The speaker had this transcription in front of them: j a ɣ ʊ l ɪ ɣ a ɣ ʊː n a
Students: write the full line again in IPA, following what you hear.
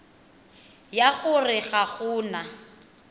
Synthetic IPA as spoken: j a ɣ ʊ r ɪ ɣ a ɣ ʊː n a